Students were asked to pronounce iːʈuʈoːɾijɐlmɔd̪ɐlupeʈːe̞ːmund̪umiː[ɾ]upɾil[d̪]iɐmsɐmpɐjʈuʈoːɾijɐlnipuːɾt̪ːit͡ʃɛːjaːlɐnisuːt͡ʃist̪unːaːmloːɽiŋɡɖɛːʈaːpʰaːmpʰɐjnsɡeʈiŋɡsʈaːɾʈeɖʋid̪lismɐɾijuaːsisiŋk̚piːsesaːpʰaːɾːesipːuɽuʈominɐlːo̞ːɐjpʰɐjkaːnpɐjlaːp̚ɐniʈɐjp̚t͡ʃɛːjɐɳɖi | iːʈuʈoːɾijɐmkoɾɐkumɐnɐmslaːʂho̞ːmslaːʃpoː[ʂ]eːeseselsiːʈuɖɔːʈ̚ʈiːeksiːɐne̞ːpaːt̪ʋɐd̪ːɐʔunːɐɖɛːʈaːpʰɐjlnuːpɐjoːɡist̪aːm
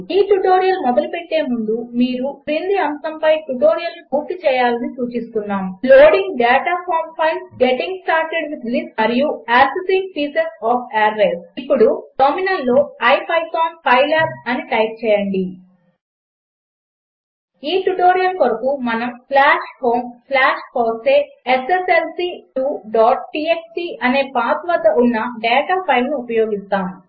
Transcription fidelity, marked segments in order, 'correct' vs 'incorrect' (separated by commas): correct, correct, incorrect